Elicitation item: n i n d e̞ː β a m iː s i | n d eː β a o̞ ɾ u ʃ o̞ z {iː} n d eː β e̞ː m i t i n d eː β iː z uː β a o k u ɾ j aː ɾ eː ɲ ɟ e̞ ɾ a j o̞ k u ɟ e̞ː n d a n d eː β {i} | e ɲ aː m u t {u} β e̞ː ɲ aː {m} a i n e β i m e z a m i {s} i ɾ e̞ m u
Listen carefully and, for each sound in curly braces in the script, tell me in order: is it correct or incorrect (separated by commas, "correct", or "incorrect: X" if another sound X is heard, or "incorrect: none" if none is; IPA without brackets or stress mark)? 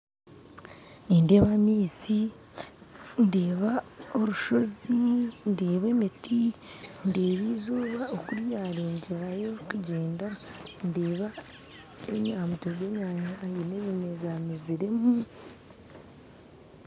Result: incorrect: i, incorrect: a, incorrect: o, incorrect: ɲ, incorrect: z